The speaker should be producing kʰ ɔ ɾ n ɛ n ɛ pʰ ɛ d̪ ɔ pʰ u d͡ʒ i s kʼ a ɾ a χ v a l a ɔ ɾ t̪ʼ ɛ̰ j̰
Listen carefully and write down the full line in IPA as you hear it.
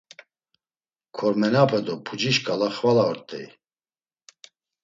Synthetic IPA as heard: kʰ ɔ ɾ m ɛ n a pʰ ɛ d̪ ɔ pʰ u d͡ʒ i ʃ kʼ a l a χ v a l a ɔ ɾ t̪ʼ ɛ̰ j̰